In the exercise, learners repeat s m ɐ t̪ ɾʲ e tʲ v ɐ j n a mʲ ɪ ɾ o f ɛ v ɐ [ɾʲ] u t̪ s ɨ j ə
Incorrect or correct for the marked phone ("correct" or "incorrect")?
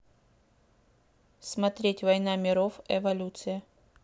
incorrect